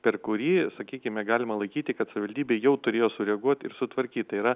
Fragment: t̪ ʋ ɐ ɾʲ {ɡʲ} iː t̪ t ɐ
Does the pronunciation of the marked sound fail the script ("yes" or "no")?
yes